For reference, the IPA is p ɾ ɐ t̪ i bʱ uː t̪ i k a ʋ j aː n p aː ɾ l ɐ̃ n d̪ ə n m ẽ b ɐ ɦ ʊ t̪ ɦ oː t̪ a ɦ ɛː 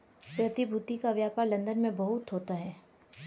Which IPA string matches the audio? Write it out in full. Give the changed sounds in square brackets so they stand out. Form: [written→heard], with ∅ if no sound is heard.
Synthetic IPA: p ɾ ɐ t̪ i bʱ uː t̪ i k a ʋ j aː [n→∅] p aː ɾ l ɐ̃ n d̪ ə n m ẽ b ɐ ɦ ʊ t̪ ɦ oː t̪ a ɦ ɛː